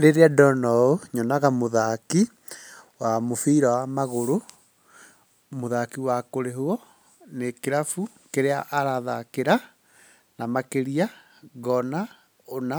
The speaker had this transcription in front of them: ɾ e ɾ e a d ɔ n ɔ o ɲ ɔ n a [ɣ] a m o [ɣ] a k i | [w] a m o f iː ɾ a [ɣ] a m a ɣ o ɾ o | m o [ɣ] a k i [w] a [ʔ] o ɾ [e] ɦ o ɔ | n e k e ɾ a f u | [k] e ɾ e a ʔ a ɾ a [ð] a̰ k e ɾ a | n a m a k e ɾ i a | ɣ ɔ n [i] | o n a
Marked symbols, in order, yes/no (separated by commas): yes, no, yes, no, no, yes, no, yes, yes, yes, no